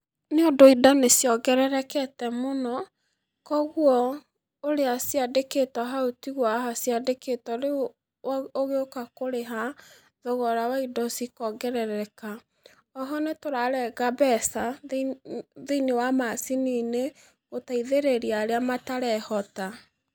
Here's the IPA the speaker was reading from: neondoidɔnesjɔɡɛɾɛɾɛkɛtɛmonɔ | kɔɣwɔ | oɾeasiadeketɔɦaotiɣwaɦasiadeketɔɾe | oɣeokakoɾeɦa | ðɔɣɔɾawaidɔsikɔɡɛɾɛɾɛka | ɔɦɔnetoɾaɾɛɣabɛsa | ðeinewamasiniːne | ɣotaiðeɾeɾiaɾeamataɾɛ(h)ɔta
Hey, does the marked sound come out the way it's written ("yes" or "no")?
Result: yes